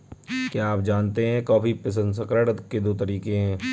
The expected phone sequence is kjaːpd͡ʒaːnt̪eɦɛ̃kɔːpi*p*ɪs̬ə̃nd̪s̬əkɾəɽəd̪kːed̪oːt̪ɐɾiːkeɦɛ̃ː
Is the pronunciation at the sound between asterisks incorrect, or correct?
correct